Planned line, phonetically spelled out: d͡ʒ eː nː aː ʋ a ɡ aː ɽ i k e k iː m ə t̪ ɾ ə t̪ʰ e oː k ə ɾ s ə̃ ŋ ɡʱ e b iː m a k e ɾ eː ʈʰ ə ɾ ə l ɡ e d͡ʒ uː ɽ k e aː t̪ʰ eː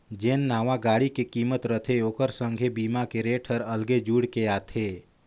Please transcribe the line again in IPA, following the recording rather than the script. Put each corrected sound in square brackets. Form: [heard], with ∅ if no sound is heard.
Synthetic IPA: d͡ʒ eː nː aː ʋ a ɡ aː ɽ i k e k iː m ə t̪ ɾ ə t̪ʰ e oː k ə ɾ s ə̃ ŋ ɡʱ e b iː m a k e ɾ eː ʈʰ ə ɾ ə l ɡ e d͡ʒ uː ɽ k e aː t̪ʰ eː